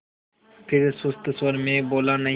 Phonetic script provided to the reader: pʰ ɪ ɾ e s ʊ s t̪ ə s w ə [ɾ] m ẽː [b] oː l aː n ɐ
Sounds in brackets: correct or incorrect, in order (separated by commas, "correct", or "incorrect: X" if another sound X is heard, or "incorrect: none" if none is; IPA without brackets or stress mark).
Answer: correct, correct